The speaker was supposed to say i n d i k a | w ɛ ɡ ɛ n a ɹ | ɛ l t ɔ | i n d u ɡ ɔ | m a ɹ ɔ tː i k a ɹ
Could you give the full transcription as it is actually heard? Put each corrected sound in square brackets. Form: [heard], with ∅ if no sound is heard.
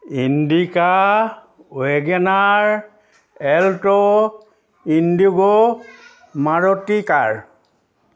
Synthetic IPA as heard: i n d i k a | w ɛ ɡ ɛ n a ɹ | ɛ l t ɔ | i n d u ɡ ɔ | m a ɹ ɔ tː i k a ɹ